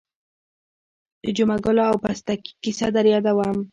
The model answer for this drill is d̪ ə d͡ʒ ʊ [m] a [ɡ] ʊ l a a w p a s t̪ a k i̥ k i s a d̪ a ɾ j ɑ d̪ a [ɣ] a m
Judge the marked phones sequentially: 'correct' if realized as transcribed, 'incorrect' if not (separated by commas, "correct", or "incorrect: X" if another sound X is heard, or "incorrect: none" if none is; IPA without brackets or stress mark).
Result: correct, correct, incorrect: w